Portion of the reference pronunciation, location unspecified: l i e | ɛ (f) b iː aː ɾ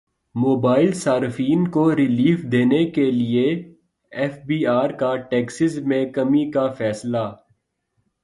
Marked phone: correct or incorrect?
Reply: correct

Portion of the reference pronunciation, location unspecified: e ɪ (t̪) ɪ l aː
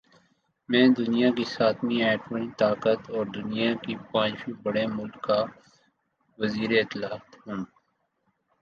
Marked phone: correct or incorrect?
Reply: correct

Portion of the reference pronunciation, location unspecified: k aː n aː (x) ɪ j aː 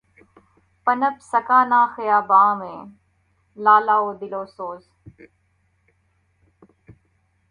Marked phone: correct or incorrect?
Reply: correct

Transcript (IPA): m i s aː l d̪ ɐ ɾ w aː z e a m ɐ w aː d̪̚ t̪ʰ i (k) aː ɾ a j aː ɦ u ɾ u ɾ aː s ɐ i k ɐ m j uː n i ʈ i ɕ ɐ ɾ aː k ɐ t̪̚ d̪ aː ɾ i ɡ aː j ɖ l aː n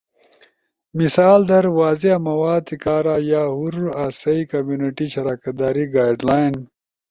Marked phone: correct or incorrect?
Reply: correct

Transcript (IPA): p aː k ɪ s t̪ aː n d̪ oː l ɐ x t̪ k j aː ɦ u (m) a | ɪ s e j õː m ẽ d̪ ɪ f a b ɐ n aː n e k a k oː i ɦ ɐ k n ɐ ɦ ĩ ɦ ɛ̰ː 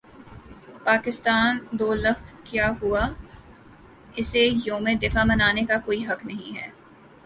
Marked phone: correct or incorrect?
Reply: incorrect: none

